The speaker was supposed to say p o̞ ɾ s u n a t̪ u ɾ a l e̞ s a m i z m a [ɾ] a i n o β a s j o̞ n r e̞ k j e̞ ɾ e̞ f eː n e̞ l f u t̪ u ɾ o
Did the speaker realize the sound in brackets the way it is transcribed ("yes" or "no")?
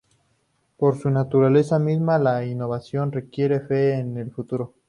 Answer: no